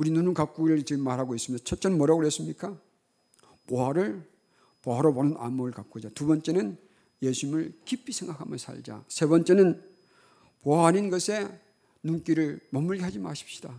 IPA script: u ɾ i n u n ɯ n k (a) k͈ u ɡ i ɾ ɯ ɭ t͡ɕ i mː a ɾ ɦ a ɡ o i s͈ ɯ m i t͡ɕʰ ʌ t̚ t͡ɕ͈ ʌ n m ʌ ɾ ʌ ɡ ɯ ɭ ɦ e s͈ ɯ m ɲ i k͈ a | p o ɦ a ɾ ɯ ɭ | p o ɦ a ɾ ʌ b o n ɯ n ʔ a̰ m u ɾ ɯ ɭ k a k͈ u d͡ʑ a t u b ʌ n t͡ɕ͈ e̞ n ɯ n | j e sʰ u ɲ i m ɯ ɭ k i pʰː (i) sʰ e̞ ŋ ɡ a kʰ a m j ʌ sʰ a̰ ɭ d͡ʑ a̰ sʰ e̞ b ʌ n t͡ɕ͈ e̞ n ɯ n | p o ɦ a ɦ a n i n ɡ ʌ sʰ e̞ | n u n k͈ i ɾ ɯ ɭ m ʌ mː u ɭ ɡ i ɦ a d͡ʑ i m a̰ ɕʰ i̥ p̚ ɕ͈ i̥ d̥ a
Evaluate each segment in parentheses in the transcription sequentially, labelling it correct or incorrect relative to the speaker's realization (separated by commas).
correct, correct